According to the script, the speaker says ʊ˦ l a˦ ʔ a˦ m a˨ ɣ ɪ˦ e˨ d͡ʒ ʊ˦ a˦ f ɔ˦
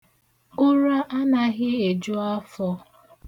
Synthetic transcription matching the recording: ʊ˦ ɾ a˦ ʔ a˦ n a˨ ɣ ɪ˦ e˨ d͡ʒ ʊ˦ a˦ f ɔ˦